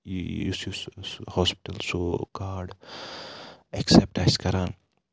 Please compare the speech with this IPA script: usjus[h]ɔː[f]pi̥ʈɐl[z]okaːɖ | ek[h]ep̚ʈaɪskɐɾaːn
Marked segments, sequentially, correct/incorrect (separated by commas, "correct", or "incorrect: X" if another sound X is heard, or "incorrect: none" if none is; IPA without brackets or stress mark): correct, incorrect: s, incorrect: s, incorrect: s